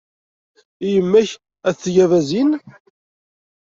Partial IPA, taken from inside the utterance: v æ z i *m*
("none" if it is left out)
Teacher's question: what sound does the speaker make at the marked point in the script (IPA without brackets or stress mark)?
n